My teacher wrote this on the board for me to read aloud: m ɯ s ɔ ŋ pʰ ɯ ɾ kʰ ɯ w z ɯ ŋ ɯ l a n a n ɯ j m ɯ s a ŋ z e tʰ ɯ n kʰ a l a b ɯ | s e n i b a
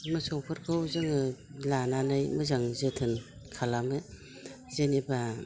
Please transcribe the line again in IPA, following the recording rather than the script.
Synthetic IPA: m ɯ s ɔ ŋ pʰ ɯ ɾ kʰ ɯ w z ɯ ŋ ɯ l a n a n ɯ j m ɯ z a ŋ z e tʰ ɯ n kʰ a l a m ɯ | z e n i b a